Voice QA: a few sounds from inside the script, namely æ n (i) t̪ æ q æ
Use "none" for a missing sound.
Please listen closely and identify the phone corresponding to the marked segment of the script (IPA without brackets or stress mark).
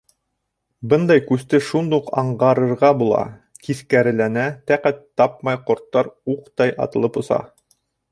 æ